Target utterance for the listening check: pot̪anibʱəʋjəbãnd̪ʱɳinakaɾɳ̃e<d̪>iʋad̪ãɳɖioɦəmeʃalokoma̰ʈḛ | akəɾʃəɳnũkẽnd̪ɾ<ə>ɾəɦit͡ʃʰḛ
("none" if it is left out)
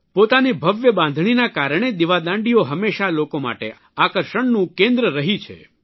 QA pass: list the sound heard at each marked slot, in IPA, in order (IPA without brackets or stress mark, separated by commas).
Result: d̪, ə